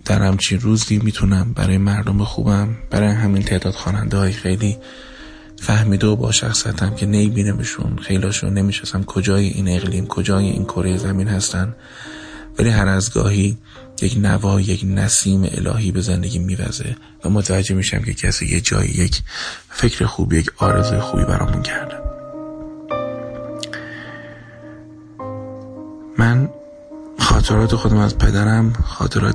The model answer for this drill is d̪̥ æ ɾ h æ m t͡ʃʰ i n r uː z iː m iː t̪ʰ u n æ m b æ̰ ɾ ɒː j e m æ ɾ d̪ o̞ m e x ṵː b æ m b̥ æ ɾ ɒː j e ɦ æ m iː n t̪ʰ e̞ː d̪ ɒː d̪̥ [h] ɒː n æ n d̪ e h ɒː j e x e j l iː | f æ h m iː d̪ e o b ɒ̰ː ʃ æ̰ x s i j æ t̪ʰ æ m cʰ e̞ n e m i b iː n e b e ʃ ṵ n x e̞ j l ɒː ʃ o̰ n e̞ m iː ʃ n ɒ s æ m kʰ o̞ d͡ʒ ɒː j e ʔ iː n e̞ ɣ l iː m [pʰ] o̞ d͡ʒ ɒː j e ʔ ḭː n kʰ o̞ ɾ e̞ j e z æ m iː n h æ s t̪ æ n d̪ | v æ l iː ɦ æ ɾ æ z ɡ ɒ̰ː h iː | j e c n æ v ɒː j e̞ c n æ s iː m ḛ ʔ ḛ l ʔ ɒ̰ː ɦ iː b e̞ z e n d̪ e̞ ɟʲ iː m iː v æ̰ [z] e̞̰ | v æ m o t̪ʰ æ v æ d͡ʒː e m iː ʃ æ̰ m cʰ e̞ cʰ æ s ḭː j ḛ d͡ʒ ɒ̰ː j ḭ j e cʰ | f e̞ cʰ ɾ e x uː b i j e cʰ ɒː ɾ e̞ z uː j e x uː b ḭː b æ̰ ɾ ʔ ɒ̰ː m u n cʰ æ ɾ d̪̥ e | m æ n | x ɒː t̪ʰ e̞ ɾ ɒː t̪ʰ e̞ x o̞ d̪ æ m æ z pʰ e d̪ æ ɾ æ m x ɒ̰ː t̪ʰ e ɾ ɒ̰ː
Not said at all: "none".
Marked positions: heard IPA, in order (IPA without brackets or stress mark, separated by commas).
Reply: x, kʰ, z